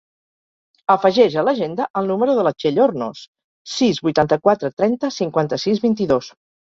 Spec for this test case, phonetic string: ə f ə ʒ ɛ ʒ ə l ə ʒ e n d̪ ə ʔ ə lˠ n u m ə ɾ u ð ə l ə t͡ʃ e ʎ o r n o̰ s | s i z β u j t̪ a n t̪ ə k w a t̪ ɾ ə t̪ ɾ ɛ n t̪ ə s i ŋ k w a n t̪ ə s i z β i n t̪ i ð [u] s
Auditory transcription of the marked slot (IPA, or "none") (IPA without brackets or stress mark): o